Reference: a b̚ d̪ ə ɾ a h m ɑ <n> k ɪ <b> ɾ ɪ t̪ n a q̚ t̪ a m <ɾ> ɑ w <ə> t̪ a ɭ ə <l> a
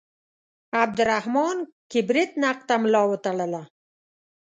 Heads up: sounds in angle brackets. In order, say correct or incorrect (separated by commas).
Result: correct, correct, incorrect, correct, correct